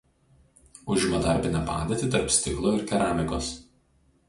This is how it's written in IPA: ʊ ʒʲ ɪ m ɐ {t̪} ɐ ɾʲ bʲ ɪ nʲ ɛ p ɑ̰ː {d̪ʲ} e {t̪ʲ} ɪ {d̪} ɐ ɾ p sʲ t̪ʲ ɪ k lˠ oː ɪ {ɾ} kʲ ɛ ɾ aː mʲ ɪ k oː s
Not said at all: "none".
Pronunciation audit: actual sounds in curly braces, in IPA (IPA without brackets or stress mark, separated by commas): d̪, d̪ʲ, t̪ʲ, t̪, ɾ